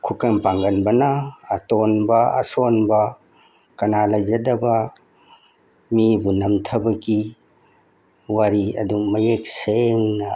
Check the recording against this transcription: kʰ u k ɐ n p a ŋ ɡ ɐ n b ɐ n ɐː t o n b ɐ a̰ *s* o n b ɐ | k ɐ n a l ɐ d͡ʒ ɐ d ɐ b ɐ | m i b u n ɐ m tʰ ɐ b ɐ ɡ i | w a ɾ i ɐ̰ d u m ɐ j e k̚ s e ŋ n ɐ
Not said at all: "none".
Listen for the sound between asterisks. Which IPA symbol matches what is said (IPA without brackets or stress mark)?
s